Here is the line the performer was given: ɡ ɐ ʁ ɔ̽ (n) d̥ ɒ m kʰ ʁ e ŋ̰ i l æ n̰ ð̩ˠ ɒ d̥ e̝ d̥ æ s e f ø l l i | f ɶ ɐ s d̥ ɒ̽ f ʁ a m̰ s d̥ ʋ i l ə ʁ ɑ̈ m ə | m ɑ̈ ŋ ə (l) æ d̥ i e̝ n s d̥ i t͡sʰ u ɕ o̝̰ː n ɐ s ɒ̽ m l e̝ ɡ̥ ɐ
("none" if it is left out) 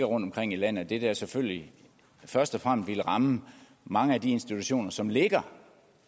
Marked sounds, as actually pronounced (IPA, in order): n, none

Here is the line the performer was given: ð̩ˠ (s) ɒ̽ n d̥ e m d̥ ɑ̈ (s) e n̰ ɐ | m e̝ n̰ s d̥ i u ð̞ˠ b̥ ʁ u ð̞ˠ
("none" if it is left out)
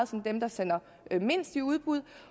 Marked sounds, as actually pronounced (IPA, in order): s, s

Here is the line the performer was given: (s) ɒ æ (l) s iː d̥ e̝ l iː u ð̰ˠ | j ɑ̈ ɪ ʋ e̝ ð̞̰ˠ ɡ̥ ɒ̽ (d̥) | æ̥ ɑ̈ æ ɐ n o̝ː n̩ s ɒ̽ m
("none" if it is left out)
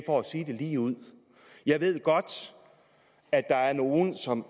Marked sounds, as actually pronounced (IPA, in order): f, none, d̥

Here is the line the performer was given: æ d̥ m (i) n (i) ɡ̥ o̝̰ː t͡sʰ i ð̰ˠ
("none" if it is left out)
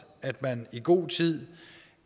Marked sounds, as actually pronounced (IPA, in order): æ, i

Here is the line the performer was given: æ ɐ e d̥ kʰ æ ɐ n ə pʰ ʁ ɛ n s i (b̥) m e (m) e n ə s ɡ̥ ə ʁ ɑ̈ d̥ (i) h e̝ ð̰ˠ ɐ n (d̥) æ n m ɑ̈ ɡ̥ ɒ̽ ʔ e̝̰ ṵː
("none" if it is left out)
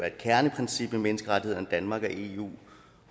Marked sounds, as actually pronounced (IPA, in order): b̥, m, i, d̥

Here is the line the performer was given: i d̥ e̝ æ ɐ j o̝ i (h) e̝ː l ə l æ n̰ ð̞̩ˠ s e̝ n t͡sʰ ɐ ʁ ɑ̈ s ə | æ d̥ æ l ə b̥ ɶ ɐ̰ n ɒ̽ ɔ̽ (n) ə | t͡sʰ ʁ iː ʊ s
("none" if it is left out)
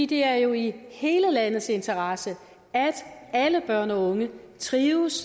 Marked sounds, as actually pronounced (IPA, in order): h, ŋ

